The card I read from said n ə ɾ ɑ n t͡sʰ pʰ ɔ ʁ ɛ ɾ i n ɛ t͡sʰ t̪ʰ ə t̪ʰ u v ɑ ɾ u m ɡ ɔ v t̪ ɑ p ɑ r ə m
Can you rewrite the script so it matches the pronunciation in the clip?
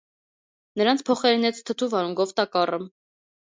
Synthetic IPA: n ə ɾ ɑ n t͡sʰ pʰ ɔ χ ɛ ɾ i n ɛ t͡sʰ t̪ʰ ə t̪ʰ u v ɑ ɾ u ŋ ɡ ɔ v t̪ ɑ k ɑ r ə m

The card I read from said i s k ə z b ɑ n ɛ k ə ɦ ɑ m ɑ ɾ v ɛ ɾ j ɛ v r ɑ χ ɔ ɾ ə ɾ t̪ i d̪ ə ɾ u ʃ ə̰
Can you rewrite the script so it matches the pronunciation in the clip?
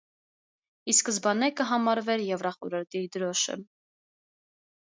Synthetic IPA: i s k ə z b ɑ n ɛ k ə ɦ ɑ m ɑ ɾ v ɛ ɾ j ɛ v r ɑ χ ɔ ɾ ə ɾ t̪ i d̪ ə ɾ ɔ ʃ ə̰

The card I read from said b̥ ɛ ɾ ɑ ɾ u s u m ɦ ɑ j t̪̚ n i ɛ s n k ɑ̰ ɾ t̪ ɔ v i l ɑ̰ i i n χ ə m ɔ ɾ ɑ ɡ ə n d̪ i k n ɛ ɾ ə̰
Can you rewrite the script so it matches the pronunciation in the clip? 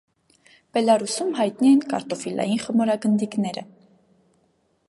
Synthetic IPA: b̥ ɛ l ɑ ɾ u s u m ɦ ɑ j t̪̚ n i ɛ n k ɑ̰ ɾ t̪ ɔ f i l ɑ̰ j i n χ ə m ɔ ɾ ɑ ɡ ə n d̪ i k n ɛ ɾ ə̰

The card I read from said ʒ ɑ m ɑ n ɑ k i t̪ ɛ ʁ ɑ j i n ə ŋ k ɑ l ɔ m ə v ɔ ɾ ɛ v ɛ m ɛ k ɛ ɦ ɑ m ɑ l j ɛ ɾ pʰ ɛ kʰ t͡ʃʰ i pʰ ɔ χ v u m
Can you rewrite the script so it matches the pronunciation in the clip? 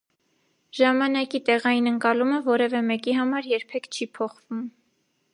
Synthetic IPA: ʒ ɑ m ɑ n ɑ k i t̪ ɛ ʁ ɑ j i n ə ŋ k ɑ l u m ə v ɔ ɾ ɛ v ɛ m ɛ k i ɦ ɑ m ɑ ɾ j ɛ ɾ pʰ ɛ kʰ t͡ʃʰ i pʰ ɔ χ v u m

